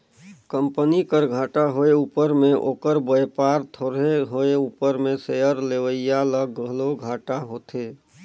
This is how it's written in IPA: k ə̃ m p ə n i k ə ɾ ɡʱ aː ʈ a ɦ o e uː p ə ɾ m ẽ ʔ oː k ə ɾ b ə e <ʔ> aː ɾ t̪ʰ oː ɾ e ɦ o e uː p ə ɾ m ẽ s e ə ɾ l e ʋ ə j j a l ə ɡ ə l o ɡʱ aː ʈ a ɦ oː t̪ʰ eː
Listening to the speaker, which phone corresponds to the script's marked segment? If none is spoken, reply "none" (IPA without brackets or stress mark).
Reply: p